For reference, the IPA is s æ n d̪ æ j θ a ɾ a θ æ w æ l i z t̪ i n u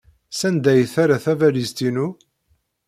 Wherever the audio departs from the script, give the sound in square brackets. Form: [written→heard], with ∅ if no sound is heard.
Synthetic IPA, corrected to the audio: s æ n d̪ æ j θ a ɾ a θ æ [w→v] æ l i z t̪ i n u